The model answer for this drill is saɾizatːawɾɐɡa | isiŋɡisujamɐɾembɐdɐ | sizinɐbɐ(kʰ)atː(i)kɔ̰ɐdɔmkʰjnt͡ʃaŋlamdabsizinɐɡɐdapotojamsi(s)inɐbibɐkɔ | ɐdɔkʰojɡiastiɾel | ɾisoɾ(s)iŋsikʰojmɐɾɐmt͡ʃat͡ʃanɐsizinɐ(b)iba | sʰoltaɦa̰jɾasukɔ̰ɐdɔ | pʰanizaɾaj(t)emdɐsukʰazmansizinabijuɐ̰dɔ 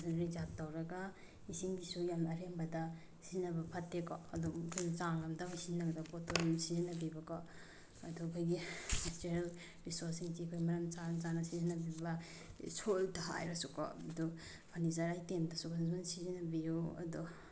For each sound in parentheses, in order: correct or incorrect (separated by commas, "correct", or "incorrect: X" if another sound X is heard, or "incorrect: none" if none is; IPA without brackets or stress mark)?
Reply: incorrect: pʰ, incorrect: e, incorrect: z, correct, correct, correct